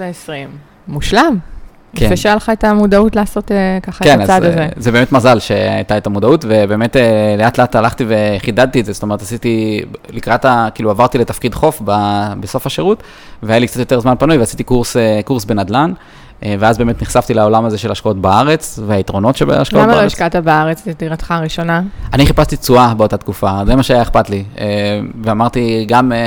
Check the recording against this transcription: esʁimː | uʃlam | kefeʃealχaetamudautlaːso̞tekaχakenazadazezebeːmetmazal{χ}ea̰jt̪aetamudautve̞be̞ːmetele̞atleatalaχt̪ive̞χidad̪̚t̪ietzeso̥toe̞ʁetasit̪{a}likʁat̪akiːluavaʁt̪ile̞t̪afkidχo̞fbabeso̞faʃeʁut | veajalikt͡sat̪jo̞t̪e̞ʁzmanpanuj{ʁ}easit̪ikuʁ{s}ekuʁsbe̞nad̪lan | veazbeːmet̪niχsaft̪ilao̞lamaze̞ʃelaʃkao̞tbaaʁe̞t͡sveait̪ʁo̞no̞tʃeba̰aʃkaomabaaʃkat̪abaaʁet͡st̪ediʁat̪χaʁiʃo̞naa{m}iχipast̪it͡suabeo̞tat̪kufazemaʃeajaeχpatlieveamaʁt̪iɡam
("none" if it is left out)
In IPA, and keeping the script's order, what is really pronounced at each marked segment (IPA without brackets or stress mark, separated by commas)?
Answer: ʃ, i, v, s, n